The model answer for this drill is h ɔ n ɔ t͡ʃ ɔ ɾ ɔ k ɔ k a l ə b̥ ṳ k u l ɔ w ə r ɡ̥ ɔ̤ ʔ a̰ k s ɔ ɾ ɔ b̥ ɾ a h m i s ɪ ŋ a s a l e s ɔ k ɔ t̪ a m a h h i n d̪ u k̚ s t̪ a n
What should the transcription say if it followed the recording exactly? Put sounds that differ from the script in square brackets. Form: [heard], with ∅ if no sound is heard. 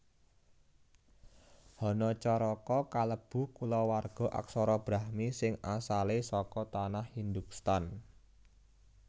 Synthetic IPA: h ɔ n ɔ t͡ʃ ɔ ɾ ɔ k ɔ k a l ə b̥ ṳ k u l ɔ w [a] r ɡ̥ ɔ̤ ʔ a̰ k s ɔ ɾ ɔ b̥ ɾ a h m i s ɪ ŋ a s a l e s ɔ k ɔ t̪ a [n] a h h i n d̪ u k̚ s t̪ a n